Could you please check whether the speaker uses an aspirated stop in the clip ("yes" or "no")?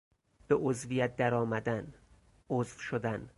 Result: no